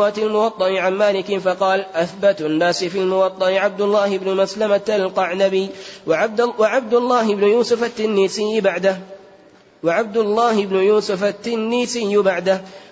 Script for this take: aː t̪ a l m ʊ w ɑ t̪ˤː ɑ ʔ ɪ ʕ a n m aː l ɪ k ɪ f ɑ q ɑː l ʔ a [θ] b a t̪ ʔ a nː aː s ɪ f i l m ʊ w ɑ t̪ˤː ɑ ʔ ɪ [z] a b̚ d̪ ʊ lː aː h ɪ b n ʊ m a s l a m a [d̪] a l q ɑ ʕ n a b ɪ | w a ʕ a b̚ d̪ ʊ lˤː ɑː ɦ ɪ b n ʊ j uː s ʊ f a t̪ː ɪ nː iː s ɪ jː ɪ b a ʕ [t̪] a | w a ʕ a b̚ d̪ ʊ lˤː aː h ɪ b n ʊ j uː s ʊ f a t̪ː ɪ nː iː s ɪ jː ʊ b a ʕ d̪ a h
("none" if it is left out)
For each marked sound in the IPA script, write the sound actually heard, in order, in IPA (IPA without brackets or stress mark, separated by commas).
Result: θ, ʕ, t̪, d̪